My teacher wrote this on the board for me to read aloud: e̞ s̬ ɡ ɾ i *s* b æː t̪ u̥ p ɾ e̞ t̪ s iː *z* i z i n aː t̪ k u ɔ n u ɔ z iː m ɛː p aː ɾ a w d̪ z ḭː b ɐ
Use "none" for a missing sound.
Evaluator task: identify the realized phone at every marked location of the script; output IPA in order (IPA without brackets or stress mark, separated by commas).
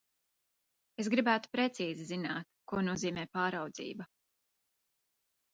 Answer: none, z